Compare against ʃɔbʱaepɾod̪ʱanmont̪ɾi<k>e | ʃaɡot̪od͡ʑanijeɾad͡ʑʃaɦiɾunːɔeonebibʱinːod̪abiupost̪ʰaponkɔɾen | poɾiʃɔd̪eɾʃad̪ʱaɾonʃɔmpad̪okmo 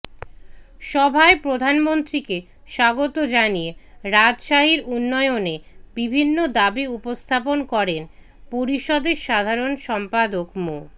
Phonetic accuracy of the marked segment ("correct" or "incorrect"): correct